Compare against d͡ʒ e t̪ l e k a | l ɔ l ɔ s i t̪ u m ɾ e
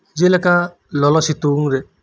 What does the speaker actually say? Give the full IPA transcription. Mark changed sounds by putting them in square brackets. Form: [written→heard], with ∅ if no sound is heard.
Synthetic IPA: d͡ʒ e [t̪→∅] l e k a | l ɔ l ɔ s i t̪ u [m→ŋ] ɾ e